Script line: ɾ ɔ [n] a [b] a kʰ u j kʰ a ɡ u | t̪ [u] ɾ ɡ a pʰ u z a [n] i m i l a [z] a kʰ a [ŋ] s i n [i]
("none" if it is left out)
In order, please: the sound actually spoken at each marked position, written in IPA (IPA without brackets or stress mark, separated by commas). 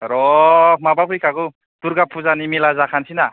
m, b, u, n, z, n, a